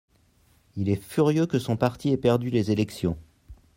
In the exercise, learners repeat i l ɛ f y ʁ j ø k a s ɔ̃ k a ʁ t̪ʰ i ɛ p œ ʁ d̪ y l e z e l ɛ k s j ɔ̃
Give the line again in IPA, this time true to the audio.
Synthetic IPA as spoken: i l ɛ f y ʁ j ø k ə s ɔ̃ p a ʁ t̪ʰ i ɛ p ɛ ʁ d̪ y l e z e l ɛ k s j ɔ̃